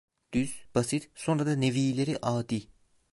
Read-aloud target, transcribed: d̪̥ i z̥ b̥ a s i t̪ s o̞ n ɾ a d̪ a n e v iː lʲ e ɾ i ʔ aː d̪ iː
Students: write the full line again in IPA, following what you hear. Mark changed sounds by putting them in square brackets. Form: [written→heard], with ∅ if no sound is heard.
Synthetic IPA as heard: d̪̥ [i→y] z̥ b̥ a s i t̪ s o̞ n ɾ a d̪ a n e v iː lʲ e ɾ i ʔ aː d̪ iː

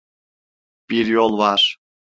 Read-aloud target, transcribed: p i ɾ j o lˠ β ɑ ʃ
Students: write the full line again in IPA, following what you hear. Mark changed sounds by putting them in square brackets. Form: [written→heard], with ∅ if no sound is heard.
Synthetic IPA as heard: p i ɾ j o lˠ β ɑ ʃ

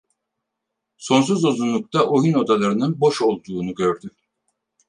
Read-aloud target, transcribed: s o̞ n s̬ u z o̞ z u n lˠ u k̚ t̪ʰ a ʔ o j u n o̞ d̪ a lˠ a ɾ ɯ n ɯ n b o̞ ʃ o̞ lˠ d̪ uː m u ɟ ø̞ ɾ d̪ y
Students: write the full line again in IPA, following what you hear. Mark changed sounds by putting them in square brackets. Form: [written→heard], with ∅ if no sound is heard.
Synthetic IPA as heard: s o̞ n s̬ u z o̞ z u n lˠ u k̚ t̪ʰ a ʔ o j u n o̞ d̪ a lˠ a ɾ ɯ n ɯ n b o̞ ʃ o̞ lˠ d̪ uː [m→n] u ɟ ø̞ ɾ d̪ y

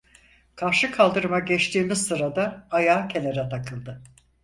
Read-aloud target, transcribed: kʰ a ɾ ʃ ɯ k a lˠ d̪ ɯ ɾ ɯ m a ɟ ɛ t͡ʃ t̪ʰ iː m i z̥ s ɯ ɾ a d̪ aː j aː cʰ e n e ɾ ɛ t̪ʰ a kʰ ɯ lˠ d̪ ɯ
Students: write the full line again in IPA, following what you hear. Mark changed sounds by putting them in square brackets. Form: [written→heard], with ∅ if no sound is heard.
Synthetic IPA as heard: kʰ a ɾ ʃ ɯ [k→kʰ] a lˠ d̪ ɯ ɾ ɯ m a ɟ ɛ t͡ʃ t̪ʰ iː m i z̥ s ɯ ɾ a d̪ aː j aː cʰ e n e ɾ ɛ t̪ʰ a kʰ ɯ lˠ d̪ ɯ

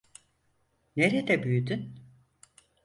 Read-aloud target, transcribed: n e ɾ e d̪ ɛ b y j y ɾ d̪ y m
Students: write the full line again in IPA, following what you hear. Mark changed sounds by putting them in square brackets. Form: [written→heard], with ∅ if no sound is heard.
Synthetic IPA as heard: n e ɾ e d̪ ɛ b y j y [ɾ→∅] d̪ y [m→n]

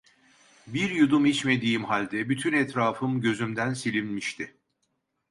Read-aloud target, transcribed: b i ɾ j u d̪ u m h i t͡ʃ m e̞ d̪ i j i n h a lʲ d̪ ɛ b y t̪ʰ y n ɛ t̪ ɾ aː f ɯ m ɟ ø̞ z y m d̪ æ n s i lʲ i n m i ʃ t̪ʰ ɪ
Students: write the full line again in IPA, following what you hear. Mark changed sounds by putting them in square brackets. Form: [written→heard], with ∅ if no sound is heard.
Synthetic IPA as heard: b i ɾ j u d̪ u m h i t͡ʃ m e̞ d̪ i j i [n→m] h a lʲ d̪ ɛ b y t̪ʰ y n ɛ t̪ ɾ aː f ɯ m ɟ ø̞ z y m d̪ æ n s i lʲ i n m i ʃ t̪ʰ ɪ

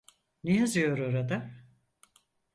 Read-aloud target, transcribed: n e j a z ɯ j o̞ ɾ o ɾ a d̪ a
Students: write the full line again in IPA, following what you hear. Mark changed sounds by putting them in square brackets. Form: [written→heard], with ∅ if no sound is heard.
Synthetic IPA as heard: n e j a z ɯ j o̞ ɾ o ɾ a d̪ a

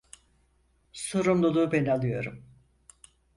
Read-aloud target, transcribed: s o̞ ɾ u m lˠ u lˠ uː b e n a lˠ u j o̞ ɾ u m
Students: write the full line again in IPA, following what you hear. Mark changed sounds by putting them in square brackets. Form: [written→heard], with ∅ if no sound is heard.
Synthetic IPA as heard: s o̞ ɾ u m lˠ u lˠ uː b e n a lˠ [u→ɯ] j o̞ ɾ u m

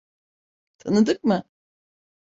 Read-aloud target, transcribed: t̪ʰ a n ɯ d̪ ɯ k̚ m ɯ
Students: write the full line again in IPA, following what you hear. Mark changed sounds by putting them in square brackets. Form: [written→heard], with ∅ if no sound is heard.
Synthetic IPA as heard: t̪ʰ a n ɯ d̪ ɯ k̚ m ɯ

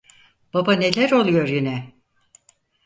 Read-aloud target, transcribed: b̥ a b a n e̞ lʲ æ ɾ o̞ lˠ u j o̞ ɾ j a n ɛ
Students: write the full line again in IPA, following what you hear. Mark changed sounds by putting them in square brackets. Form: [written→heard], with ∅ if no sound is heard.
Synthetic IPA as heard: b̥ a b a n e̞ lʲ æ ɾ o̞ lˠ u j o̞ ɾ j [a→i] n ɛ

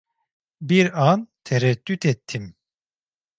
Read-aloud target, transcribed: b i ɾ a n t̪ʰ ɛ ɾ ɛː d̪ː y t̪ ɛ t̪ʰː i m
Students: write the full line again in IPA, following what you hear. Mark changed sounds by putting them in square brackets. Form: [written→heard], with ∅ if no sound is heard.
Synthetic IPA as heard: b i ɾ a n t̪ʰ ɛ ɾ [ɛː→ɛ] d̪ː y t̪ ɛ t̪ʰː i m

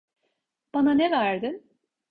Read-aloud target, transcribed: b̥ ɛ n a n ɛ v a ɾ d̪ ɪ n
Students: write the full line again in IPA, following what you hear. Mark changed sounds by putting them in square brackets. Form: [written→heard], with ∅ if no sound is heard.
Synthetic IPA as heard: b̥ [ɛ→a] n a n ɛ v [a→æ] ɾ d̪ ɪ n

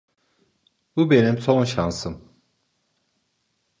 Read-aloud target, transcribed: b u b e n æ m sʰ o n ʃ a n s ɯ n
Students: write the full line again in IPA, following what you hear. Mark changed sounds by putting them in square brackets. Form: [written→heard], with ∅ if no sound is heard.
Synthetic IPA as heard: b u b e n [æ→i] m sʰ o n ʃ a n s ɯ [n→m]

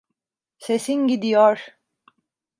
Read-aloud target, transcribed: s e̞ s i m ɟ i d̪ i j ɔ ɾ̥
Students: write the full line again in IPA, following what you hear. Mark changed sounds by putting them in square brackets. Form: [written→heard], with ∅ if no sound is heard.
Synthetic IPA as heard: s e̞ s i [m→n] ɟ i d̪ i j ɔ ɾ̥

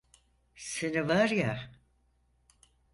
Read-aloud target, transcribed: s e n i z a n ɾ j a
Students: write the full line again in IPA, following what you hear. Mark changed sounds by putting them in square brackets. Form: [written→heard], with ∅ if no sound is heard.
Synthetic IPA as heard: s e n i [z→v] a [n→∅] ɾ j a

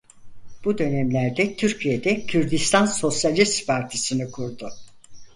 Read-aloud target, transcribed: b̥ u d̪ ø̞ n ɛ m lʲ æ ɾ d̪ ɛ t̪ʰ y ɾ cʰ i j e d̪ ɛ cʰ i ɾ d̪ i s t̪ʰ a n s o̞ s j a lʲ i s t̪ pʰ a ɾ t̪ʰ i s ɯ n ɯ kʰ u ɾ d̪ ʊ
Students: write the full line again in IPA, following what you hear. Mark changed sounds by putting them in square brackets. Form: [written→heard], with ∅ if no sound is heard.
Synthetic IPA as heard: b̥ u d̪ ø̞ n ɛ m lʲ æ ɾ d̪ ɛ t̪ʰ y ɾ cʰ i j e d̪ ɛ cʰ [i→y] ɾ d̪ i s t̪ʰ a n s o̞ s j a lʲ i s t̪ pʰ a ɾ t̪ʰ i s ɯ n ɯ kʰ u ɾ d̪ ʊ

